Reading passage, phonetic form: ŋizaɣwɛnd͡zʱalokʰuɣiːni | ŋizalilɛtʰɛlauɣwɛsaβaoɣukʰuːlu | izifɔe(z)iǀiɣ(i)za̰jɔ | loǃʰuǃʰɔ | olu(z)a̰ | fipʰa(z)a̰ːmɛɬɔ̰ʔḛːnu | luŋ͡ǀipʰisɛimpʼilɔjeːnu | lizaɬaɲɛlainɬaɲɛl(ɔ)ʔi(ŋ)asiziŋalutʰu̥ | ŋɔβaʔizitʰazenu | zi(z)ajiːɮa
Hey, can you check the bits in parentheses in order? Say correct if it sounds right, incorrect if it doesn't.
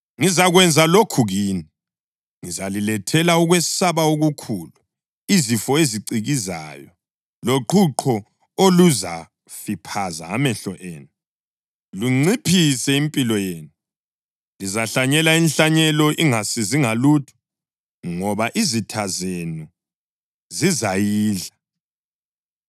correct, correct, correct, correct, correct, correct, correct

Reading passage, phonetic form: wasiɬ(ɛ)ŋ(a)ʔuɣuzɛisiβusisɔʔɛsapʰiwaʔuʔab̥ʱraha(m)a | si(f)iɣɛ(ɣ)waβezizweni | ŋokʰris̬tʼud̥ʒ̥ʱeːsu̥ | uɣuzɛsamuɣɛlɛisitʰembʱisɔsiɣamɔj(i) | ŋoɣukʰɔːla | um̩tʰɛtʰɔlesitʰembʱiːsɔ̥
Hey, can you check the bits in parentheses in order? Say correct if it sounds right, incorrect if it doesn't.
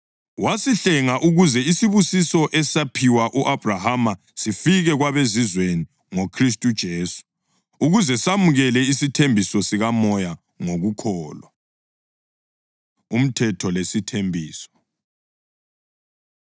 correct, correct, correct, correct, correct, incorrect: a

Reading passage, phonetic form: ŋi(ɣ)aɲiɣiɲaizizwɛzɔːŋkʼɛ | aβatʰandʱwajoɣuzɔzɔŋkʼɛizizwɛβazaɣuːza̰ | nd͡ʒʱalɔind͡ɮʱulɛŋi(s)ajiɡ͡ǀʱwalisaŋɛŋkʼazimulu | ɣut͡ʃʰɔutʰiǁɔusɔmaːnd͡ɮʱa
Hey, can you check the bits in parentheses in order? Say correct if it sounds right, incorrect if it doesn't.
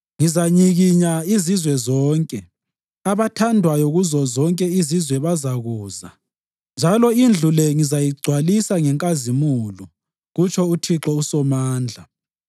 incorrect: z, incorrect: z

